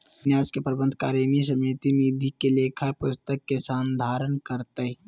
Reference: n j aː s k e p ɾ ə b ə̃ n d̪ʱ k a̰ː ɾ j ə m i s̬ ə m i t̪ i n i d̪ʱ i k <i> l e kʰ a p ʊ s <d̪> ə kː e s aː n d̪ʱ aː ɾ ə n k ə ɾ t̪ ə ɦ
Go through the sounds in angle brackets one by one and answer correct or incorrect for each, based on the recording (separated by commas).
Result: incorrect, incorrect